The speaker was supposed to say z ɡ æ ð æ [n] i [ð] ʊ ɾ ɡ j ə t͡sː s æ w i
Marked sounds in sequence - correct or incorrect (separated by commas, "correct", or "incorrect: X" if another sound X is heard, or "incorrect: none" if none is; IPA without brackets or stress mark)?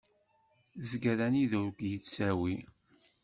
correct, correct